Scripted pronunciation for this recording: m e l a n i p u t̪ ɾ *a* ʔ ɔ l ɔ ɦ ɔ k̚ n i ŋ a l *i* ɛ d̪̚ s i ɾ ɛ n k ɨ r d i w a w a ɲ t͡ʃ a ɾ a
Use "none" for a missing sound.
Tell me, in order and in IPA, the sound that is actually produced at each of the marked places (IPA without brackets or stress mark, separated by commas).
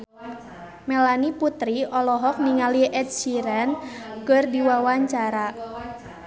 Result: i, i